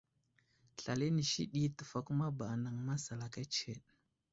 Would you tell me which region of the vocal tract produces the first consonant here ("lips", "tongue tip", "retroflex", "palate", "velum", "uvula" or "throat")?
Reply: tongue tip